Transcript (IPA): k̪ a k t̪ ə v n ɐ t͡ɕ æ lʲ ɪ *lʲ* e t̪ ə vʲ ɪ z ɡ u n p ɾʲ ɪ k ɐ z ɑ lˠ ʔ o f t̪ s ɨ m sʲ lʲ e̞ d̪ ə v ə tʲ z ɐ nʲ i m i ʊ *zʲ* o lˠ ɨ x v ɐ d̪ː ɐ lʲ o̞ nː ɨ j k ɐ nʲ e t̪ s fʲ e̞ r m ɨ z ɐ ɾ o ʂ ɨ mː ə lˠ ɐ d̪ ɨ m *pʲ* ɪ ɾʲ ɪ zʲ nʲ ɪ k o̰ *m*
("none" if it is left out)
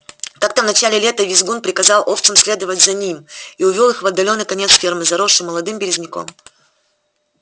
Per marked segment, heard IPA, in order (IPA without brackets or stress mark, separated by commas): lʲ, vʲ, bʲ, m